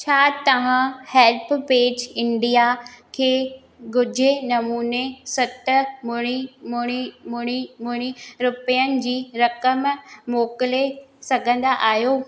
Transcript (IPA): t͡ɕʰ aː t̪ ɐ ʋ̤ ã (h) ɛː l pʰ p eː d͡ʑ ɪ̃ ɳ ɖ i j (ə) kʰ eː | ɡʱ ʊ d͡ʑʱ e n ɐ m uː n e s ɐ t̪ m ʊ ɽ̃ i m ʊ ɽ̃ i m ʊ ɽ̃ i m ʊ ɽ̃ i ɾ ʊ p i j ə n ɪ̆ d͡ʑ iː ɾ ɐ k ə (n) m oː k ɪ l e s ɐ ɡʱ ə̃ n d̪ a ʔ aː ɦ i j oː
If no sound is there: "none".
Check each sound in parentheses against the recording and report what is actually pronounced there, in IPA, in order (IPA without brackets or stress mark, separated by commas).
h, a, m